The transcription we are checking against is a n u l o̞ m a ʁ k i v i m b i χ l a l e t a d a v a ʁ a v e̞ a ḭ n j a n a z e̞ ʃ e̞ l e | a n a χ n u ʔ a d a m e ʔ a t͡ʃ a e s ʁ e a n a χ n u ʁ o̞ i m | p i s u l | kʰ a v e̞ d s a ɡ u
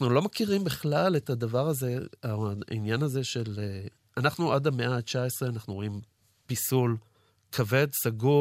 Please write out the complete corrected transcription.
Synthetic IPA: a n u l o̞ m a k i ʁ i m b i χ l a l e t a d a v a ʁ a z e̞ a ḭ n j a n a z e̞ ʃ e̞ l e | a n a χ n u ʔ a d a m e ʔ a t͡ʃ a e s ʁ e a n a χ n u ʁ o̞ i m | p i s u l | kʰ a v e̞ d s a ɡ u